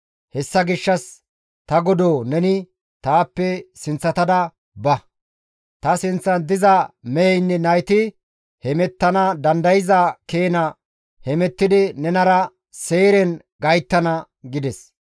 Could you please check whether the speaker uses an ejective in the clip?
no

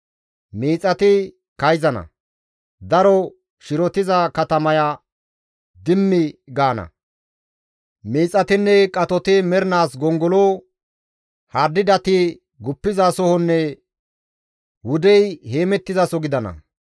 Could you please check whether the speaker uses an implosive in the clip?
no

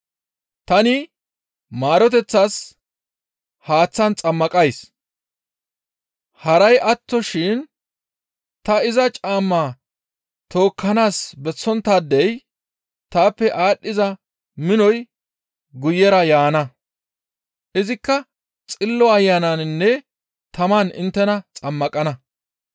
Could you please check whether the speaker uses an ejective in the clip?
yes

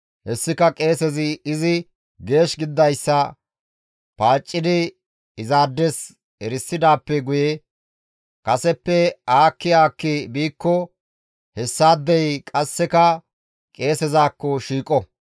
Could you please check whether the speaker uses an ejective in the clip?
yes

